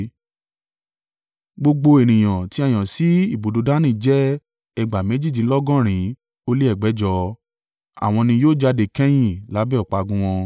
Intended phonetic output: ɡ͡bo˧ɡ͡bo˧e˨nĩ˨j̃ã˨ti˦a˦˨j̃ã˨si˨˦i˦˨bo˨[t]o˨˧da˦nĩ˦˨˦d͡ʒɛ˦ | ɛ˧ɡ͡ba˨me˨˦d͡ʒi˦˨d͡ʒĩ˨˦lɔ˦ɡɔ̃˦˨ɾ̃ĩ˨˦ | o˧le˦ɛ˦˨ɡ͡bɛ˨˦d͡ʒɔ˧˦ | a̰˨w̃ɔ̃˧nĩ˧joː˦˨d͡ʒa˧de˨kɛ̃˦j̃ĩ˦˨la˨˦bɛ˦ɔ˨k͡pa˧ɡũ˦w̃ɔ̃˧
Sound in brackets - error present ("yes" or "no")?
yes